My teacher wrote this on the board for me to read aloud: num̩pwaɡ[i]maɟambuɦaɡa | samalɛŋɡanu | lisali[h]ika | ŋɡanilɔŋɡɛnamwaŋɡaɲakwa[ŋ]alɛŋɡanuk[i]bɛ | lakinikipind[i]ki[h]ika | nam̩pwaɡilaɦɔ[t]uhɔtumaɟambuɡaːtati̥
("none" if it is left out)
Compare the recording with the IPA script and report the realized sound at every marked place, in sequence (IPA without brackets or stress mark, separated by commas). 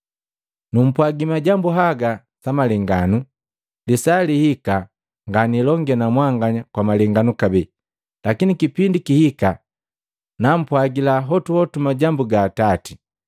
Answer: i, h, m, a, i, h, t